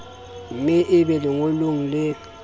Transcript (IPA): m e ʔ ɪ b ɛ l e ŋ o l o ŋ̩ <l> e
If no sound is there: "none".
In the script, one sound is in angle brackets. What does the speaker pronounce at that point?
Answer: l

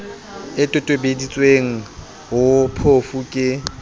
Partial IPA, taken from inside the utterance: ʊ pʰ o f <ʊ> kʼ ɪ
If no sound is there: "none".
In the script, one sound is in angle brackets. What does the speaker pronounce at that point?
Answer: u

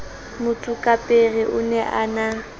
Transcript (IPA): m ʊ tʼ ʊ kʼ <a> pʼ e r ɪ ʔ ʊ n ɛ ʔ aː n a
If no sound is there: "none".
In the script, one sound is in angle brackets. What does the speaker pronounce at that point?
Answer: a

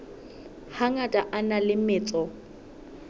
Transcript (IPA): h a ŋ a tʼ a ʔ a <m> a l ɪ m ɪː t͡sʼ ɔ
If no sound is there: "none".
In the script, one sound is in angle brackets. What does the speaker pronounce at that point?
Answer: n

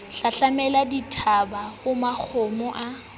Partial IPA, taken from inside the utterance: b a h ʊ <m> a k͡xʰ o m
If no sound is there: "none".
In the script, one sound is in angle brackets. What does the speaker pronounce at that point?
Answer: m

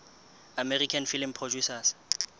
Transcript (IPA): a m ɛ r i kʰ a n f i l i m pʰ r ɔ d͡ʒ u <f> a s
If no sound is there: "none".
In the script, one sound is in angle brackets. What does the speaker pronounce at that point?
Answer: s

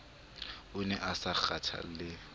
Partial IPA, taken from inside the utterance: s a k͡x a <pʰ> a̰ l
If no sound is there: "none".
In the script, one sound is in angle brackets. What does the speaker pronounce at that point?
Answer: tʰ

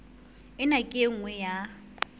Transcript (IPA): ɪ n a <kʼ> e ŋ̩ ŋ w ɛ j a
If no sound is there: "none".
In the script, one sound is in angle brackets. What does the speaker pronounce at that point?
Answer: kʼ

